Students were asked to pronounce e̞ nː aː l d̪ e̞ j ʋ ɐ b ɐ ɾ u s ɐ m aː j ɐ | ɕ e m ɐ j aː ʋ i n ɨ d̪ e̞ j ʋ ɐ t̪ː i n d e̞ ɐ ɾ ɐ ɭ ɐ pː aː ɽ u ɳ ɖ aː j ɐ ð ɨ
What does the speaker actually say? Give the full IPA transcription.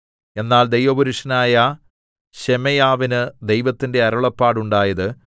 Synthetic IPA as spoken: e̞ nː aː l d̪ e̞ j ʋ ɐ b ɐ ɾ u ʂ ɐ n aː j ɐ | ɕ e m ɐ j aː ʋ i n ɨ d̪ e̞ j ʋ ɐ t̪ː i n d e̞ ɐ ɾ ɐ ɭ ɐ pː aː ɽ u ɳ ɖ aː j ɐ ð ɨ